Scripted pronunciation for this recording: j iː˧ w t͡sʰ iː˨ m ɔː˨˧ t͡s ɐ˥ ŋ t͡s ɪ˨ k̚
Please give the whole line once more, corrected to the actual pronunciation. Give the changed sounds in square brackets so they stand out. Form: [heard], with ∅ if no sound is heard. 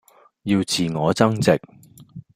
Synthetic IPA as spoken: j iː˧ w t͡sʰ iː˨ [ŋ] ɔː˨˧ t͡s ɐ˥ ŋ t͡s ɪ˨ k̚